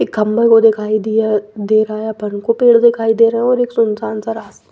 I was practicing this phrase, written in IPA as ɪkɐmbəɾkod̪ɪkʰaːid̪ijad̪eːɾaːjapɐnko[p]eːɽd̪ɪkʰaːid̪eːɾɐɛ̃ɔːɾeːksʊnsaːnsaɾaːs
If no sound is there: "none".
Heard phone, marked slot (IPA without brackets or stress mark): p